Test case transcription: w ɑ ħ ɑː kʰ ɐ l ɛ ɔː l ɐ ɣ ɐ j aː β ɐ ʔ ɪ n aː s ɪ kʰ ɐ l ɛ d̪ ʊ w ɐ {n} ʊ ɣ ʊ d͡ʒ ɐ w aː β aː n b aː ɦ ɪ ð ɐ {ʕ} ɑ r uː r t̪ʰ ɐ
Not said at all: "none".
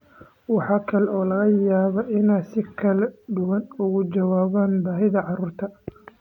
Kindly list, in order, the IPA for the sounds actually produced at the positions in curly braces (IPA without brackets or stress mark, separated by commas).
n, ʕ